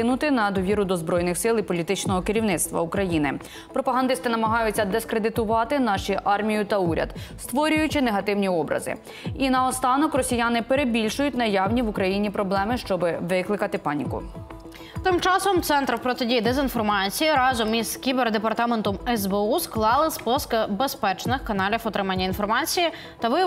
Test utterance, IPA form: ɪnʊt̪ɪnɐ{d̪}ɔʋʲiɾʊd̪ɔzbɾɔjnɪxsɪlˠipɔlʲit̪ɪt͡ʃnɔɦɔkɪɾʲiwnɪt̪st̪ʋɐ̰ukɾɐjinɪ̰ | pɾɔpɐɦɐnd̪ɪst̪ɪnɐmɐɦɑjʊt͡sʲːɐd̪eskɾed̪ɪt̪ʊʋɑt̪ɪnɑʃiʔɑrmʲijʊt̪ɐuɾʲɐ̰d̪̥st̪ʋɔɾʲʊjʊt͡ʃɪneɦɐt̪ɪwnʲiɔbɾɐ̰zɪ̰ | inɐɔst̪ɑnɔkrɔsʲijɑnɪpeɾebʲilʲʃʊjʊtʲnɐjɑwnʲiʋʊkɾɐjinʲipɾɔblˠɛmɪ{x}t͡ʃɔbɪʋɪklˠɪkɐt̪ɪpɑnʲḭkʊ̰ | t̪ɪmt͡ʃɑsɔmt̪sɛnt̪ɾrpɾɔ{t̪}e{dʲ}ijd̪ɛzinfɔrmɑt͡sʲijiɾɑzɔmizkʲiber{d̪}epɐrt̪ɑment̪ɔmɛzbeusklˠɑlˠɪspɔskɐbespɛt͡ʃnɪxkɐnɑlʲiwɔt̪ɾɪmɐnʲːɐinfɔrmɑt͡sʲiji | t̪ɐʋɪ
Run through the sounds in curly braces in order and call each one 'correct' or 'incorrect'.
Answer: correct, incorrect, correct, correct, correct

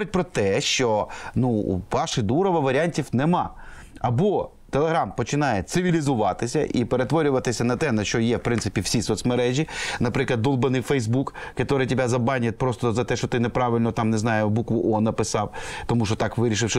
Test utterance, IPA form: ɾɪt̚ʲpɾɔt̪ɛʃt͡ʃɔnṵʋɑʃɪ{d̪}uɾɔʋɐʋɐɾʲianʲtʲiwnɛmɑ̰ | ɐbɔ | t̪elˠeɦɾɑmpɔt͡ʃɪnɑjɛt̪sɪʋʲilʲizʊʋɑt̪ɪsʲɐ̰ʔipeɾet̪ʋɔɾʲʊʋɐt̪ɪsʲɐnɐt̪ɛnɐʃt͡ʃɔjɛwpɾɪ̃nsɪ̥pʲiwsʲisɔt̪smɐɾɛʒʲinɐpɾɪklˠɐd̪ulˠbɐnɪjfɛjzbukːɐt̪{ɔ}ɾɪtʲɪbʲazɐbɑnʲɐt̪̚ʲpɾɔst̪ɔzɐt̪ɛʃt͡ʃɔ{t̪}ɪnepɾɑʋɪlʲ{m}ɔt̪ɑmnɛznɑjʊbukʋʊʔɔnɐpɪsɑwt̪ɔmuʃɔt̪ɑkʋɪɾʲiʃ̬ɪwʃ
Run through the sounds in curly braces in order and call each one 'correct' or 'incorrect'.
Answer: correct, correct, correct, incorrect

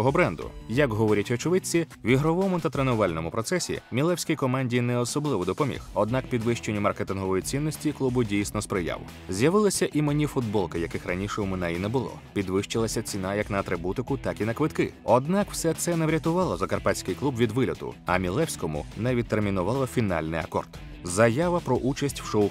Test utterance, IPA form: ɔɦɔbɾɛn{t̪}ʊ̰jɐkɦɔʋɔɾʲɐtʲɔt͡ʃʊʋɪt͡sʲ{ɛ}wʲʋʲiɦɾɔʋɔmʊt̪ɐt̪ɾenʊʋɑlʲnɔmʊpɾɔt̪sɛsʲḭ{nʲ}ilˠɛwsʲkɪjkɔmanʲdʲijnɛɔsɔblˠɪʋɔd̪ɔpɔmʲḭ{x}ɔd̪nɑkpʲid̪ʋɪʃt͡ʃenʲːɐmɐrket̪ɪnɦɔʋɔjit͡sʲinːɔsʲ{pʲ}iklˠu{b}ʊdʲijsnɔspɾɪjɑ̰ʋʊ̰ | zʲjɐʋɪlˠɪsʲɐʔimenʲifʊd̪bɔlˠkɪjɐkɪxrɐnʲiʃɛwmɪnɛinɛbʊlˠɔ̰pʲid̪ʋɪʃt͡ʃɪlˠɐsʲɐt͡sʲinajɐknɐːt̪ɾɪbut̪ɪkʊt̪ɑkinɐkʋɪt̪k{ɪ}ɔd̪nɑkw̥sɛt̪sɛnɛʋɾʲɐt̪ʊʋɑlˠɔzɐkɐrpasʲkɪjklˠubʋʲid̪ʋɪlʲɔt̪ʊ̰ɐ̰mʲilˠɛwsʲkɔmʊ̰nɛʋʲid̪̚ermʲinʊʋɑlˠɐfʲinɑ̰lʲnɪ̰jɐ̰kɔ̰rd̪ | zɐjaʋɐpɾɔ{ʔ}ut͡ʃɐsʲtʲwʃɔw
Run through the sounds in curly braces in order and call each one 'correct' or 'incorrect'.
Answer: incorrect, incorrect, incorrect, correct, incorrect, correct, correct, correct

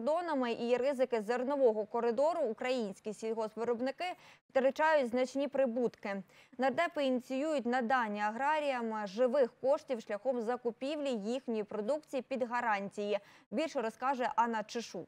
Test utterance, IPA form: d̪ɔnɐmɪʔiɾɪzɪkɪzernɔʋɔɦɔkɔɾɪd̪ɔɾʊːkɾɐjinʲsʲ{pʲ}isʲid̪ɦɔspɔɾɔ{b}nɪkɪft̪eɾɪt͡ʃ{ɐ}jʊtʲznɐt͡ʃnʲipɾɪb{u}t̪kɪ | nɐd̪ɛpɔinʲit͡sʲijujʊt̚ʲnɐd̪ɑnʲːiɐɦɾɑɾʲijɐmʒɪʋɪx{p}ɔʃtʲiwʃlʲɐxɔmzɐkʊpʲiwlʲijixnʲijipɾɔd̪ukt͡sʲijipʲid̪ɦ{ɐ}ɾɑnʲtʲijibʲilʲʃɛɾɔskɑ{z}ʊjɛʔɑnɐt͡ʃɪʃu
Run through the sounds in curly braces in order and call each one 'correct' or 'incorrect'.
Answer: incorrect, correct, incorrect, correct, incorrect, correct, incorrect

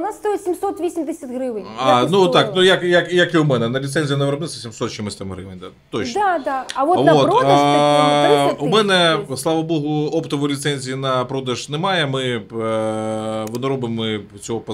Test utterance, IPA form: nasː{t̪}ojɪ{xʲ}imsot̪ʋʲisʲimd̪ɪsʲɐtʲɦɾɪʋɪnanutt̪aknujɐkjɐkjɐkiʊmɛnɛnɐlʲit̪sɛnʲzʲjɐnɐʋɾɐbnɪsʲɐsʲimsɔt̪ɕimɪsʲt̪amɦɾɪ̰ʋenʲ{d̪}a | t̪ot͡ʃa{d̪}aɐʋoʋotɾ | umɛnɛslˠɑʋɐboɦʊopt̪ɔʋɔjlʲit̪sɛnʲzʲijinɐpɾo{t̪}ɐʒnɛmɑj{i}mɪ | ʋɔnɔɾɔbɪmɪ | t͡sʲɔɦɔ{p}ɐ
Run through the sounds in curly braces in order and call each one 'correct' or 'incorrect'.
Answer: correct, incorrect, correct, correct, incorrect, incorrect, correct

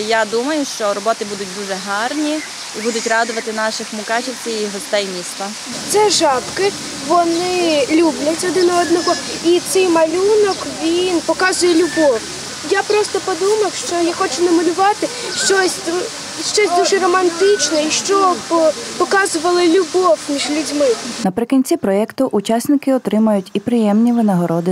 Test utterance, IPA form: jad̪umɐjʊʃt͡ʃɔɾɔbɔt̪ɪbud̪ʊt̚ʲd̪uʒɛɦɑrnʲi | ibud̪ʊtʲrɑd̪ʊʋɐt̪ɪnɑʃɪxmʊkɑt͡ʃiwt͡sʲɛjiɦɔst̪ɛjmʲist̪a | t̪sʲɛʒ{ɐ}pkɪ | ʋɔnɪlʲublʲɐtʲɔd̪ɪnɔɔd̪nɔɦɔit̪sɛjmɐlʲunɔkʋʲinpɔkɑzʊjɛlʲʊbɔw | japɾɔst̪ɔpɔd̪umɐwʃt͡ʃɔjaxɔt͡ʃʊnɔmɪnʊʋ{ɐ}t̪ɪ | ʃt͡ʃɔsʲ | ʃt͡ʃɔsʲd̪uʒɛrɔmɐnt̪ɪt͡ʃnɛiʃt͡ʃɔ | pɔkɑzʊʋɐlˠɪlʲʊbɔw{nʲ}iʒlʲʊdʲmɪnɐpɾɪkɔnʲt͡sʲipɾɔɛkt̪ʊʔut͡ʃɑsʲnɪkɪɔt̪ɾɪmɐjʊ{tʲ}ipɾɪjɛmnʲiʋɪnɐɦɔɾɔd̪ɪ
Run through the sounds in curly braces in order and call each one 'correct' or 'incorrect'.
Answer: incorrect, incorrect, incorrect, correct

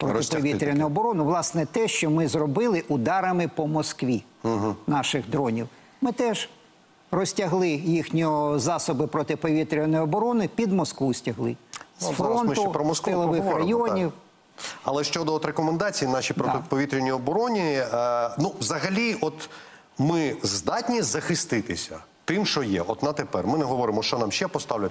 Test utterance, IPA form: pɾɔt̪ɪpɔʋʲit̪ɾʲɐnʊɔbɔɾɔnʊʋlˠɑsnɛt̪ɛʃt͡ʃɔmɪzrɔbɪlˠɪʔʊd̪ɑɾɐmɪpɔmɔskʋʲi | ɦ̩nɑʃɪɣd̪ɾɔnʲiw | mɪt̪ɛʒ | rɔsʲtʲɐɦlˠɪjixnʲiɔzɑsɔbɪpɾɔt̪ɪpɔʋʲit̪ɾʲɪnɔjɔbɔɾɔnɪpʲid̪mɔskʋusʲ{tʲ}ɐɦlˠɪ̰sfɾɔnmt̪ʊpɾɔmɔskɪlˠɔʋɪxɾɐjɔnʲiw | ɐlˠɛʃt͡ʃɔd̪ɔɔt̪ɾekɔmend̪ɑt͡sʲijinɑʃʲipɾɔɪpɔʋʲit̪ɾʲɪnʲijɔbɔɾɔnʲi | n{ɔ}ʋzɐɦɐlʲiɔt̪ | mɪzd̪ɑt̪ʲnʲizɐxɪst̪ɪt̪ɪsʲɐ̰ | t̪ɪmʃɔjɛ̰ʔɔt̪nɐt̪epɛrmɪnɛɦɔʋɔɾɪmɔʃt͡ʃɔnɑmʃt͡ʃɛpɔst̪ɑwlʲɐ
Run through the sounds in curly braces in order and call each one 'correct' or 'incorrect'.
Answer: correct, incorrect

